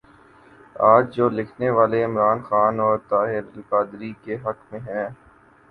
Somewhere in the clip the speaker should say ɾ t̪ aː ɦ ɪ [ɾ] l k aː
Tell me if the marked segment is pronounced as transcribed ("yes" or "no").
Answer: yes